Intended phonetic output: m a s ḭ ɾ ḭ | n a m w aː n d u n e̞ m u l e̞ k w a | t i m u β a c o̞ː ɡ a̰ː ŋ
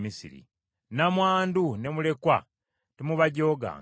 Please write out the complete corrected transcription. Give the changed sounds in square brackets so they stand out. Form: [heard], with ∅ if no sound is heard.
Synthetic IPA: m [i] s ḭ ɾ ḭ | n a m w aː n d u n e̞ m u l e̞ k w a | t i m u β a [ɟ] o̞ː ɡ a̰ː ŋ